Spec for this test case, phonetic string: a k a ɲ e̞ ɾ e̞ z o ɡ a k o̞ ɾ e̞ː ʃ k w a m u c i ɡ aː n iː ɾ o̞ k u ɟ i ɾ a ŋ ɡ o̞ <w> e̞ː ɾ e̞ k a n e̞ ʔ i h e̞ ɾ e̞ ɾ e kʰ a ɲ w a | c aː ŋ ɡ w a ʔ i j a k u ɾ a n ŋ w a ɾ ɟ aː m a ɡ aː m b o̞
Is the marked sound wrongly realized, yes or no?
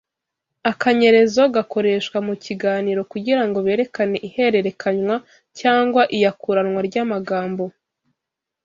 yes